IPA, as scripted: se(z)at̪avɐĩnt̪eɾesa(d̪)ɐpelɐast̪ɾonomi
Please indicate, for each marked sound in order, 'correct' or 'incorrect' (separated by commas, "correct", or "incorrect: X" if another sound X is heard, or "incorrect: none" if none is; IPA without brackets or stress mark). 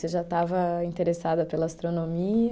incorrect: ʒ, correct